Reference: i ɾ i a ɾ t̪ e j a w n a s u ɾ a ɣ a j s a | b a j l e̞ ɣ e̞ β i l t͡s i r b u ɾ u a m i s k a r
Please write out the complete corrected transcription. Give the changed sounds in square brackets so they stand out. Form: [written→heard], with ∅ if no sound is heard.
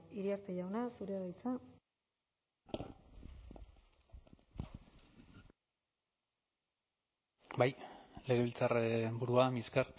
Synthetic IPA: i ɾ i a ɾ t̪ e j a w n a s u ɾ [a→e] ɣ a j [s→t͡s] a | b a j l e̞ ɣ e̞ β i l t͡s [i→a] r b u ɾ u a m i s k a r